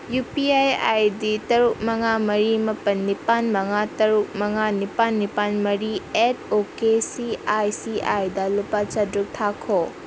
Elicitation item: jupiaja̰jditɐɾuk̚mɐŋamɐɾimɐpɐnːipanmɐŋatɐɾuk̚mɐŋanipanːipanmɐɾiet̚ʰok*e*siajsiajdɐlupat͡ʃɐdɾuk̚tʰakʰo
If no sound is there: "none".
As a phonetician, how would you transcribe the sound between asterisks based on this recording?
e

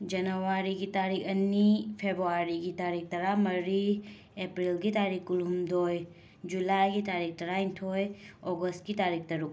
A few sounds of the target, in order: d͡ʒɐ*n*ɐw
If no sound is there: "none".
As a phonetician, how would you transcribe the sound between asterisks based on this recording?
n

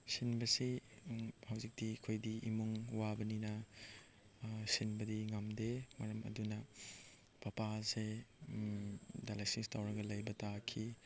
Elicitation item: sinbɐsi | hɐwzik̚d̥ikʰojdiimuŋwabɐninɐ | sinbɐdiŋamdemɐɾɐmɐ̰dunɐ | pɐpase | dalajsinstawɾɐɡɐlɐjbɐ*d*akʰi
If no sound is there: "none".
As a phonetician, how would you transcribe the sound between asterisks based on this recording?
t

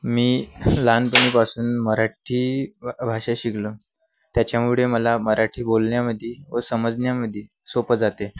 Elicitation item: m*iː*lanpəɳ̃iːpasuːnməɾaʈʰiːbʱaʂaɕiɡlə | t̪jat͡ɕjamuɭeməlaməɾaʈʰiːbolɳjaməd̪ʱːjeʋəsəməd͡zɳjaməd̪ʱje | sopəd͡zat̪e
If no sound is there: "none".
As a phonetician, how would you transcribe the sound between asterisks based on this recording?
iː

